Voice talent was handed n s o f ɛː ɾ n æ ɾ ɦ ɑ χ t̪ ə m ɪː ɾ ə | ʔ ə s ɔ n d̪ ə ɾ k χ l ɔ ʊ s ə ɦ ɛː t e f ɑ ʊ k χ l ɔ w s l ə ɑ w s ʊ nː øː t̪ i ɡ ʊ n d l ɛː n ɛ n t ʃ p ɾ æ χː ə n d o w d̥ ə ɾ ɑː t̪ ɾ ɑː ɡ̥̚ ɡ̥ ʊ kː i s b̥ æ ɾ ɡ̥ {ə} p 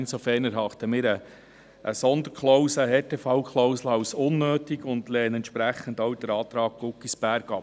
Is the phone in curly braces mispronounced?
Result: yes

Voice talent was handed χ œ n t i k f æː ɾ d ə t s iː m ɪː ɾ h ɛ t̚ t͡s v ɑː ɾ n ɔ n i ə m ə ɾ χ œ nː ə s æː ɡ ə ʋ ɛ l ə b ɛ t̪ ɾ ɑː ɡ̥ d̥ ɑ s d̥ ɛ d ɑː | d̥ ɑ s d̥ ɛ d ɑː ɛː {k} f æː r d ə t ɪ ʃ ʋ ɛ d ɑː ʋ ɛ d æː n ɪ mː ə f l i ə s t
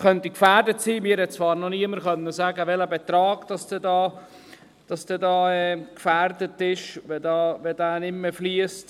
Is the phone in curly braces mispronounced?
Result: no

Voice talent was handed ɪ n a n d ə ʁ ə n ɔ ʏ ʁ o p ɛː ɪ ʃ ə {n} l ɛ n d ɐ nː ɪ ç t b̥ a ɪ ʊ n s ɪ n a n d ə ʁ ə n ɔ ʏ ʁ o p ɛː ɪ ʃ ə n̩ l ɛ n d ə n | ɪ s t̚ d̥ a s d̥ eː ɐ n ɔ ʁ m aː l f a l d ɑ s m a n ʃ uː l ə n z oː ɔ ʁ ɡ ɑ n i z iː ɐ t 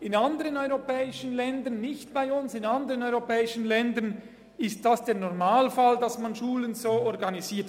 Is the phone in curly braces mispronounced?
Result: no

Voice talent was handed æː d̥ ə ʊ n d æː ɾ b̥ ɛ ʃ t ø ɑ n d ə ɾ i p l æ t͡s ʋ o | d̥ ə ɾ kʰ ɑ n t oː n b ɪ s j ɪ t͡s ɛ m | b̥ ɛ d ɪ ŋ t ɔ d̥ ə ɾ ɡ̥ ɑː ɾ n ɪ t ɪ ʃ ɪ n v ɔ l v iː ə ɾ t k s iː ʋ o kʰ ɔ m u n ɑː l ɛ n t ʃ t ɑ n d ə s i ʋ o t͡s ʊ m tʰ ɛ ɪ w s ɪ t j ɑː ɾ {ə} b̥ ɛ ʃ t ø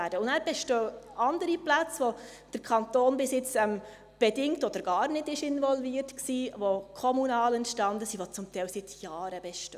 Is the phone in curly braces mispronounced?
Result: no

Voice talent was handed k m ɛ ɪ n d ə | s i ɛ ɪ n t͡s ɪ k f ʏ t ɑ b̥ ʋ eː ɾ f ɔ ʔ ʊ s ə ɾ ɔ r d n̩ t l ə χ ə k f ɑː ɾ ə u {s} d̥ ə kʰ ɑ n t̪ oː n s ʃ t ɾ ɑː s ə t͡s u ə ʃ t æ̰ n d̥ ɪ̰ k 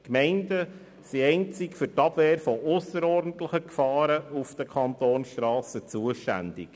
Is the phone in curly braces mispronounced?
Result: yes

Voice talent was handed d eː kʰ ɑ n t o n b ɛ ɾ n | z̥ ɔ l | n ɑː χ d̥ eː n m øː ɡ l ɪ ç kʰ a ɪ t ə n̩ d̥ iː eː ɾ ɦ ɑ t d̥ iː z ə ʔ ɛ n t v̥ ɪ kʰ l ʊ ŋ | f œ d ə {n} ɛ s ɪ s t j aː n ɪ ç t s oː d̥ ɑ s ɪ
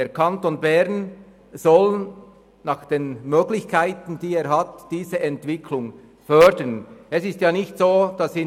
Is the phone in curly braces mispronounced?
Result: no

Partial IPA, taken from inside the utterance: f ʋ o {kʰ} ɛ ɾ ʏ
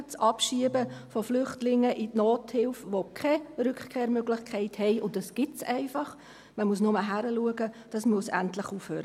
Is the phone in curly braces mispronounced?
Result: no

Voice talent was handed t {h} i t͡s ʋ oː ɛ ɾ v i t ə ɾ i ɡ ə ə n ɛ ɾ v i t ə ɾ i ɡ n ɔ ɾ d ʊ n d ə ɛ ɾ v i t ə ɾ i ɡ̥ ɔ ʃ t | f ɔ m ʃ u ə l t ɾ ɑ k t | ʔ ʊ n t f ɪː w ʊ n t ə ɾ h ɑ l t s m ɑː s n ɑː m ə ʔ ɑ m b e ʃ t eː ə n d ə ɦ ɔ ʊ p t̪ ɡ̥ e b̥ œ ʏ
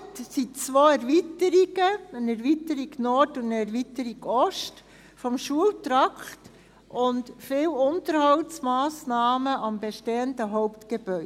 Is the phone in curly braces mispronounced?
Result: yes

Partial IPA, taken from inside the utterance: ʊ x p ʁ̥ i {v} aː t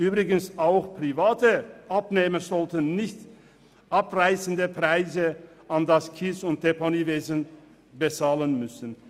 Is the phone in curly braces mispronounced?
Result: no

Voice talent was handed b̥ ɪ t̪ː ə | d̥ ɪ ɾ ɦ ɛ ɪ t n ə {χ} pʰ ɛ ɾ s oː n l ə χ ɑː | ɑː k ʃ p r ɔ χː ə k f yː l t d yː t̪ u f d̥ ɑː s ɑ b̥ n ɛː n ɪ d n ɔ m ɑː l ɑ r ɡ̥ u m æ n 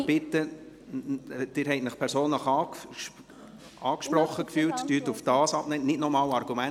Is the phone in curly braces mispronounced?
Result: no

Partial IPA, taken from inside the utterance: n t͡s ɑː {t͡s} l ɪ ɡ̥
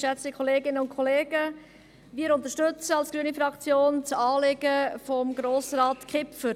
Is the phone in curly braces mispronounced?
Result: yes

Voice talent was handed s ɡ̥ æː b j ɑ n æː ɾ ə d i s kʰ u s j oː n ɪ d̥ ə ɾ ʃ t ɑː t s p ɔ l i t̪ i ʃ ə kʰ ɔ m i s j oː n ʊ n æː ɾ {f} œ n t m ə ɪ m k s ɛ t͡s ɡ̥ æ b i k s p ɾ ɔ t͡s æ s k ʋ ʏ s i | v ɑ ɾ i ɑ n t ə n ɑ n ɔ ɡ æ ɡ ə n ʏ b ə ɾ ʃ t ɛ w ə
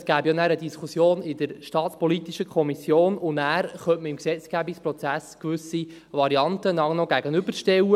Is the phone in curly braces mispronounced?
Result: yes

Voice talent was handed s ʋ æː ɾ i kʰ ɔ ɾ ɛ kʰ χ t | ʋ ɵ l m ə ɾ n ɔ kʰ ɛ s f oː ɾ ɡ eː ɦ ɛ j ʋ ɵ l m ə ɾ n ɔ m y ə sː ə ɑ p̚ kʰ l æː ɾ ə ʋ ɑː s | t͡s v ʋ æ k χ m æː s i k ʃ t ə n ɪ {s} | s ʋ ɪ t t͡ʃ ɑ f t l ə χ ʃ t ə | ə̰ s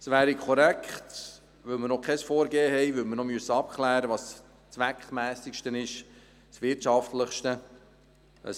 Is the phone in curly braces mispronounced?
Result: yes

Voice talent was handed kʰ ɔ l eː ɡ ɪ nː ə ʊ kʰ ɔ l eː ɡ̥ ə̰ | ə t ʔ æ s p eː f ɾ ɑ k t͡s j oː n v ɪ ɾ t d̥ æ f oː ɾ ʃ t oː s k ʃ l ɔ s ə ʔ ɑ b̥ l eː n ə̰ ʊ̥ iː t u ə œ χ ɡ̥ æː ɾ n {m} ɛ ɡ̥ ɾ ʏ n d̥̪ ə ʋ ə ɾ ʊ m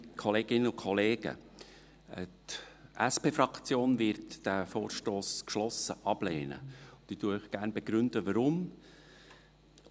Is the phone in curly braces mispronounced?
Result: yes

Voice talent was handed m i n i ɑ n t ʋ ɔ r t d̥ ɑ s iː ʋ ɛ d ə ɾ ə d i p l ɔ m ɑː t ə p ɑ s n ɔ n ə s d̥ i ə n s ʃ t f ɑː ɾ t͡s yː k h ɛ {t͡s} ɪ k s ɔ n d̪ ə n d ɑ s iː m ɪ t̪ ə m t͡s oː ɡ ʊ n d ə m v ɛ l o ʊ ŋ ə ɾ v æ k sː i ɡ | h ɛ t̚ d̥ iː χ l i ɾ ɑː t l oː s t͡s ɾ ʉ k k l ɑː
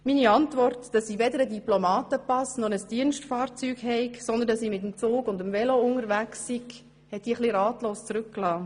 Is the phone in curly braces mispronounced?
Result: yes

